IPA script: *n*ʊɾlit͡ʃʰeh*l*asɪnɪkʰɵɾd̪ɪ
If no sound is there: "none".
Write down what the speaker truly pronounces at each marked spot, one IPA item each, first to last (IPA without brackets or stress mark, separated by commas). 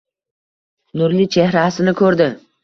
n, ɾ